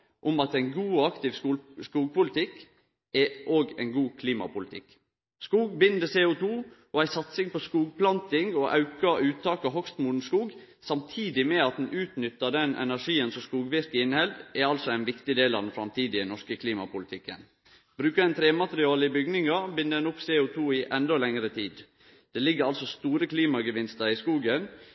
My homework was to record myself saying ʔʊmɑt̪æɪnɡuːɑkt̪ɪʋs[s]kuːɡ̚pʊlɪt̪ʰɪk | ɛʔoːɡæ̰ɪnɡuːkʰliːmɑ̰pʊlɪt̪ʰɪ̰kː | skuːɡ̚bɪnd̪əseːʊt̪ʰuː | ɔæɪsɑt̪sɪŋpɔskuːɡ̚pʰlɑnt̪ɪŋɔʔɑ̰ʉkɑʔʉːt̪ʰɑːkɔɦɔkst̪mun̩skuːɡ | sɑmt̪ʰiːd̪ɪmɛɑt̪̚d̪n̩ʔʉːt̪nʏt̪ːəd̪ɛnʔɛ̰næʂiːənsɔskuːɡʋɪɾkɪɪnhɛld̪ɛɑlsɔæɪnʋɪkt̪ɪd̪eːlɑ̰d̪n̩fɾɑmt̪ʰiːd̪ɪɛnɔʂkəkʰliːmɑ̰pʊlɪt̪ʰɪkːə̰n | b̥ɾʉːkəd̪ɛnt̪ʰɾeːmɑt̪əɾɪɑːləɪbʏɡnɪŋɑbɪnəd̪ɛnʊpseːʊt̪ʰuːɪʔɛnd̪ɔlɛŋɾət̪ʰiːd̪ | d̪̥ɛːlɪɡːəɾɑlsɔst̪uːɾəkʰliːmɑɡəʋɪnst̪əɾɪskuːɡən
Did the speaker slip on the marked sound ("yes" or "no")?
no